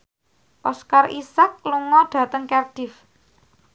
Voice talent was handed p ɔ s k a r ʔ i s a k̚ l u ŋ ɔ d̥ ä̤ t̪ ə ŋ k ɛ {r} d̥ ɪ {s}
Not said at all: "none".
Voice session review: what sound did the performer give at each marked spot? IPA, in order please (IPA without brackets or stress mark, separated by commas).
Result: r, f